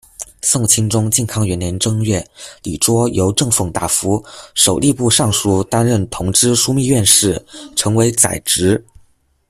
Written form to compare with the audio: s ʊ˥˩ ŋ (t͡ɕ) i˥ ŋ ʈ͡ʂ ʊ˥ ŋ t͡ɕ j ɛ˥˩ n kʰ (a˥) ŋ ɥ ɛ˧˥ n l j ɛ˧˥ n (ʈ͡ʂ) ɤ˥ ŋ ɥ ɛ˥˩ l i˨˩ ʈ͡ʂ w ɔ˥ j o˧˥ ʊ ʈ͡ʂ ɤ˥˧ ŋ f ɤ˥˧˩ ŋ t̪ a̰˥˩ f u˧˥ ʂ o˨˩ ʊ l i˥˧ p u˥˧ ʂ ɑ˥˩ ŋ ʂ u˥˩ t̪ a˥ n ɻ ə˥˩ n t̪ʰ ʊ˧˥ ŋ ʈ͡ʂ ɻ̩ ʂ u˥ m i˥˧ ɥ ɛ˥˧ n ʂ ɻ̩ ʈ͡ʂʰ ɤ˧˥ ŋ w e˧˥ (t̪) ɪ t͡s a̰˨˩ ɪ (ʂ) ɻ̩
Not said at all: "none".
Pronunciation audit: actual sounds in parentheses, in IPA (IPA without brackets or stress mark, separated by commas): t͡ɕʰ, ɑ˥, ʈ͡ʂ, none, ʈ͡ʂ